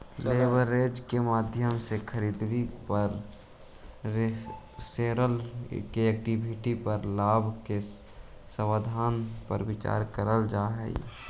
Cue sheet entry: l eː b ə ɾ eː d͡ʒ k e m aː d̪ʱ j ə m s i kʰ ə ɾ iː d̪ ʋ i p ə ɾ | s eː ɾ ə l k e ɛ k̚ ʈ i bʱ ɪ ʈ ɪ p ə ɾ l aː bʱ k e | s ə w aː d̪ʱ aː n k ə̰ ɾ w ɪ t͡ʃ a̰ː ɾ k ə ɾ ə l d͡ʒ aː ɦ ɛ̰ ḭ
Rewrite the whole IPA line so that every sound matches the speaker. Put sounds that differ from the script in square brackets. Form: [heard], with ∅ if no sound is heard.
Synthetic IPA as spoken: l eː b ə ɾ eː d͡ʒ k e m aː d̪ʱ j ə m s [e] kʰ ə ɾ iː d̪ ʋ i p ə ɾ | s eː ɾ ə l k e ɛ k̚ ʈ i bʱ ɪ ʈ [i] p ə ɾ l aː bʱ k e | s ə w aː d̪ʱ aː n [p] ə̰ ɾ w ɪ t͡ʃ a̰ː ɾ k ə ɾ ə l d͡ʒ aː ɦ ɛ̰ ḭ